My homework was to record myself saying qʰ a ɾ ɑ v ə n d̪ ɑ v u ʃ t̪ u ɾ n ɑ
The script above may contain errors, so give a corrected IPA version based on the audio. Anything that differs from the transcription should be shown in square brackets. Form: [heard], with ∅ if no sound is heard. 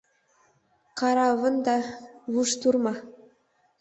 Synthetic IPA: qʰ [ɑ] ɾ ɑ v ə n d̪ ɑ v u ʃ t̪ u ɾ [m] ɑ